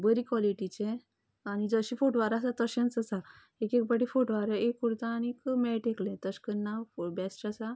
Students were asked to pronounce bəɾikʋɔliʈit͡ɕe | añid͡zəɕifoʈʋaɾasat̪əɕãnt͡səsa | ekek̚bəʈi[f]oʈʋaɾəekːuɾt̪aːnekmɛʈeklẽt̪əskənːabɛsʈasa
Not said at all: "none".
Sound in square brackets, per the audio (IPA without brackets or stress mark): f